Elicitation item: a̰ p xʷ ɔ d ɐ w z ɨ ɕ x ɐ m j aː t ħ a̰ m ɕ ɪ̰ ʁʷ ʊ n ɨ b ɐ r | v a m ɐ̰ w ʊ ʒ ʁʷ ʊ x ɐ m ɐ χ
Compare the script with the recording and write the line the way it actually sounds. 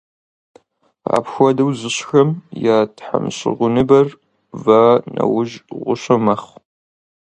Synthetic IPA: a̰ p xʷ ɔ d ɐ w z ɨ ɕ x ɐ m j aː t ħ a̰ m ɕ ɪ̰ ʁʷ ʊ n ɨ b ɐ r | v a n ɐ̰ w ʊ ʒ ʁʷ ʊ ɕ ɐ m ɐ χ

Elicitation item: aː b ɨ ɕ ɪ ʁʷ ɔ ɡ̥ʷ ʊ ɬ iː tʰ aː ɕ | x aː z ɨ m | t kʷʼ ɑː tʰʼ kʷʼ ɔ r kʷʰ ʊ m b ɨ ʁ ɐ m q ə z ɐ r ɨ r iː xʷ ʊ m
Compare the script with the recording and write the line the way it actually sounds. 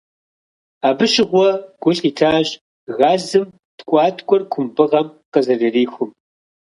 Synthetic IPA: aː b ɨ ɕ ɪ ʁʷ ɔ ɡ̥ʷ ʊ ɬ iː tʰ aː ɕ | ɣ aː z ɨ m | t kʷʼ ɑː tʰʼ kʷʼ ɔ r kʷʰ ʊ m b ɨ ʁ ɐ m q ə z ɐ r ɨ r iː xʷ ʊ m

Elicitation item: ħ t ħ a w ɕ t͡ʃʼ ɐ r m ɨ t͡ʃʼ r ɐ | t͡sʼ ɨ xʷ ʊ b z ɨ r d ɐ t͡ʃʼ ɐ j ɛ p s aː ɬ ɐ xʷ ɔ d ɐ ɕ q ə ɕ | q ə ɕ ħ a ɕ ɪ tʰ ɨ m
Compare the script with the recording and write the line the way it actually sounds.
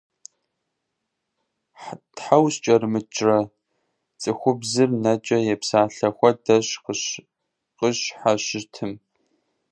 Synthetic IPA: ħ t ħ a w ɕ t͡ʃʼ ɐ r m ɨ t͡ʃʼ r ɐ | t͡sʼ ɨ xʷ ʊ b z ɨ r n ɐ t͡ʃʼ ɐ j ɛ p s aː ɬ ɐ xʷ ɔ d ɐ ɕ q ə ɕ | q ə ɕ ħ a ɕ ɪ tʰ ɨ m

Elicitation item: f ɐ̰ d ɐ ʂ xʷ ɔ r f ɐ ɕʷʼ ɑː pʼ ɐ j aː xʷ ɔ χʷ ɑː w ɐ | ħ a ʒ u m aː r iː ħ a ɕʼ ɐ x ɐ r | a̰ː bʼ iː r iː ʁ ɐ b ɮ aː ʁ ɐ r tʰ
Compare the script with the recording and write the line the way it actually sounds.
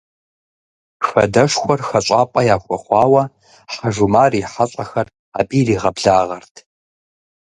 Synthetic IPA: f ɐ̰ d ɐ ʂ xʷ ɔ r x ɐ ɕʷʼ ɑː pʼ ɐ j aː xʷ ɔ χʷ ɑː w ɐ | ħ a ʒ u m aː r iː ħ a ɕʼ ɐ x ɐ r | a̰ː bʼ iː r iː ʁ ɐ b ɮ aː ʁ ɐ r tʰ

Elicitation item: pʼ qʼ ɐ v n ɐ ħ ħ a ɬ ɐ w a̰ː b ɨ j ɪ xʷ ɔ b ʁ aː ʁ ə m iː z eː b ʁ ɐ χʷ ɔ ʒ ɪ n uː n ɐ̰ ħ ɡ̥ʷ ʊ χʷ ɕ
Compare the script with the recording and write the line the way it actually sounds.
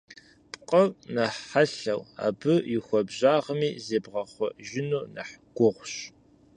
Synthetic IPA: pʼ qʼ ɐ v n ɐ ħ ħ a ɬ ɐ w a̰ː b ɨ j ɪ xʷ ɔ b ʑ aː ʁ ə m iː z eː b ʁ ɐ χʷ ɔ ʒ ɪ n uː n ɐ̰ ħ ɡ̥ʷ ʊ ʁʷ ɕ

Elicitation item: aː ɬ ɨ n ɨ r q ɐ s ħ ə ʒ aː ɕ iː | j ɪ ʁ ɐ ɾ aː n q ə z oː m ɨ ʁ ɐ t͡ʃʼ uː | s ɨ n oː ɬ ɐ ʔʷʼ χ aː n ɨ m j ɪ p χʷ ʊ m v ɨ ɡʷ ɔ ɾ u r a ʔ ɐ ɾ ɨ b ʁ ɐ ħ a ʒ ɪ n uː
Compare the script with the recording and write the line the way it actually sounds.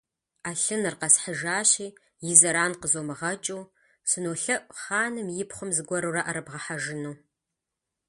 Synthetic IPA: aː ɬ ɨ n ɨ r q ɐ s ħ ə ʒ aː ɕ iː | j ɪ z ɐ ɾ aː n q ə z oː m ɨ ʁ ɐ t͡ʃʼ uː | s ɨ n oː ɬ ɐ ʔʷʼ χ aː n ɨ m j ɪ p χʷ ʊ m z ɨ ɡʷ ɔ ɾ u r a ʔ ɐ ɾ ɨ b ʁ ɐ ħ a ʒ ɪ n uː

